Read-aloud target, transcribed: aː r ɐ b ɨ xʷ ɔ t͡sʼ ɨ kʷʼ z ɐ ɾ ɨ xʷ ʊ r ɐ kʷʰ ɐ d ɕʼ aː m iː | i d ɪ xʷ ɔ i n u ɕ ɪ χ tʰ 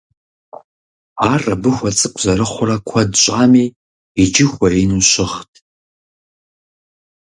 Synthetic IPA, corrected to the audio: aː r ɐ b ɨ xʷ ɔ t͡sʼ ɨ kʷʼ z ɐ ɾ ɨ χʷ ʊ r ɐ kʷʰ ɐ d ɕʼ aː m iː | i d͡ʒ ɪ xʷ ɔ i n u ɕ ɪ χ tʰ